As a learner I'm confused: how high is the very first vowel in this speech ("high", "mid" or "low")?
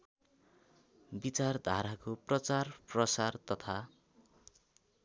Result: high